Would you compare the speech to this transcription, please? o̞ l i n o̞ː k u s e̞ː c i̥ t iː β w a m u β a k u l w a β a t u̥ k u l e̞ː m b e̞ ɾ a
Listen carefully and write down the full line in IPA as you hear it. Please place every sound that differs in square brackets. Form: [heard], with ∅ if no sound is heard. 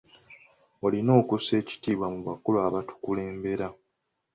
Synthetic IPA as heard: o̞ l i n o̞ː k u s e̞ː c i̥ t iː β w a m u β a k u l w a β a t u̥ k u l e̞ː m b e̞ ɾ a